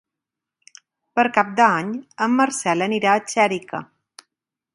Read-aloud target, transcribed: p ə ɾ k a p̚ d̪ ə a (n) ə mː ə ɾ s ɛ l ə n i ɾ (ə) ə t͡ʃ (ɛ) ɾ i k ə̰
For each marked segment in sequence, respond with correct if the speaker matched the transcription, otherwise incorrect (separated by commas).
incorrect, incorrect, correct